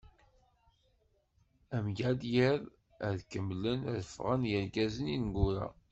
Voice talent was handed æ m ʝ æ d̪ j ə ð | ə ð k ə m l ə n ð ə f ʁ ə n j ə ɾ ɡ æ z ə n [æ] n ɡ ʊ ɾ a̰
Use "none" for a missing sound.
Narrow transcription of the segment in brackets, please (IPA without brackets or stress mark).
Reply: i